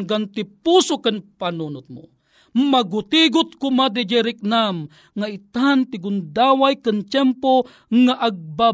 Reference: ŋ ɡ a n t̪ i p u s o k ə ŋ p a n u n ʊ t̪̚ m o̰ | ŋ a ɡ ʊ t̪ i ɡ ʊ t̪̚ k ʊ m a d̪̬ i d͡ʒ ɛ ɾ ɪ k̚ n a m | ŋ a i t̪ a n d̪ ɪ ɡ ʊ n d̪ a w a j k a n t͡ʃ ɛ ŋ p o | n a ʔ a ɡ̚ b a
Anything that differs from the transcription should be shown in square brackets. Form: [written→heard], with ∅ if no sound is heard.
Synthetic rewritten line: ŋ ɡ a n t̪ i p u s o k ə [ŋ→n] p a n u n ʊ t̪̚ m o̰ | [ŋ→m] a ɡ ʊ t̪ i ɡ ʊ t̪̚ k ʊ m a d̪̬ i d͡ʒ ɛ ɾ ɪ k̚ n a m | ŋ a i t̪ a n [d̪→t̪] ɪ ɡ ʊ n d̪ a w a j k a n t͡ʃ ɛ [ŋ→m] p o | [n→ŋ] a ʔ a ɡ̚ b a